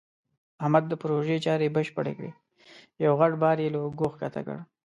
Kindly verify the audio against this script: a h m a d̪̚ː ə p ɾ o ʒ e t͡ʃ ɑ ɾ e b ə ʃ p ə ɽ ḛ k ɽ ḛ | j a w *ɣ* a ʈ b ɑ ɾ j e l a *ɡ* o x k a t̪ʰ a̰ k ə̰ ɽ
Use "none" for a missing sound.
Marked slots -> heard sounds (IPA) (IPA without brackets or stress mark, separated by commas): ɣ, ɡ